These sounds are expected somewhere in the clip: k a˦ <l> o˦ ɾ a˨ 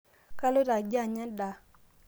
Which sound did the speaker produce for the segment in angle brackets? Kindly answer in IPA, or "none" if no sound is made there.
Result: l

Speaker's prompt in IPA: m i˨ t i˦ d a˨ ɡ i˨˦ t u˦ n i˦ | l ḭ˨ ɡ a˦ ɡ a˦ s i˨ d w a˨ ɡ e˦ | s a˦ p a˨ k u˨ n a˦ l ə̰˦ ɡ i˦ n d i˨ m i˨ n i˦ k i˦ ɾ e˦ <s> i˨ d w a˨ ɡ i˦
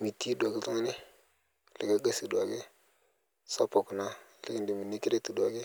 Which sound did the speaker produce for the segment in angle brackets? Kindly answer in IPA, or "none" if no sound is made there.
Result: t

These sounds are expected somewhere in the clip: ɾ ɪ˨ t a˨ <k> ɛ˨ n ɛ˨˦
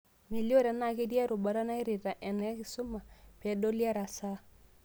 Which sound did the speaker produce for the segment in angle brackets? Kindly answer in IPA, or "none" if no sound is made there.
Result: ʔ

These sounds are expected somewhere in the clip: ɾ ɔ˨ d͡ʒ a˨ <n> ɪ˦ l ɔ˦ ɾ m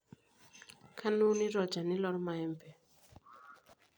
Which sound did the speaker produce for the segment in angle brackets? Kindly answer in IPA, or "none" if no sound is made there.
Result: n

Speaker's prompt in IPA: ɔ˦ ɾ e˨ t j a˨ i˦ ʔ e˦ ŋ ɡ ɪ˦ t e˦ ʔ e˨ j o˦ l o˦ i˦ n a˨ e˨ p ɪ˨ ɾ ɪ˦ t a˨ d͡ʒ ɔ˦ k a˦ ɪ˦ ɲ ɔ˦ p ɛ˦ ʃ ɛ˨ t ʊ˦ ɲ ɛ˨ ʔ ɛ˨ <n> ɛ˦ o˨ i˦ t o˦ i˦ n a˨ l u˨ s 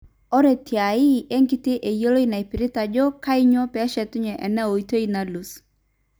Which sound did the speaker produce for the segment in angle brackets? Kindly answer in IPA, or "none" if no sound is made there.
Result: n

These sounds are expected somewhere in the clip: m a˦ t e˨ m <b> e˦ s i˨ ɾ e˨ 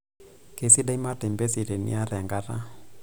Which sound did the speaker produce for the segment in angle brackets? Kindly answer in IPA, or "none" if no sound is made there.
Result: b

